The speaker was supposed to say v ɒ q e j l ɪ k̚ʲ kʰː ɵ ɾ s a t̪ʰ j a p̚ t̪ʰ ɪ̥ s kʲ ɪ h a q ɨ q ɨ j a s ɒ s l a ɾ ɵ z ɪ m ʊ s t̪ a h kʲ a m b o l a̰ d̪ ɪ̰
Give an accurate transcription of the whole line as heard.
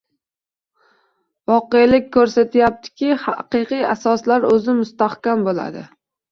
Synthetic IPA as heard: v ɒ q e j l ɪ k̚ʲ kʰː ɵ ɾ s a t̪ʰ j a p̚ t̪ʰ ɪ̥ kʲ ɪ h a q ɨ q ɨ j a s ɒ s l a ɾ ɵ z ɪ m ʊ s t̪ a h kʲ a m b o l a̰ d̪ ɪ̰